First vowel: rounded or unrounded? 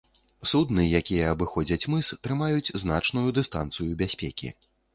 rounded